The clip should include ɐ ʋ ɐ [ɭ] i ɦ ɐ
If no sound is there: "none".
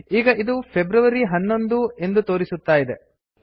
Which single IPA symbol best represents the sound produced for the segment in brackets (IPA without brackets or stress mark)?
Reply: ɾ